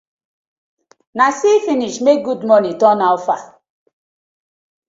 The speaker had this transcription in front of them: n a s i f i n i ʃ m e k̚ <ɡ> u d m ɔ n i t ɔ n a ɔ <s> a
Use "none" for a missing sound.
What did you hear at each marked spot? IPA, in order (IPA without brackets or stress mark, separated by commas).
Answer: ɡ, f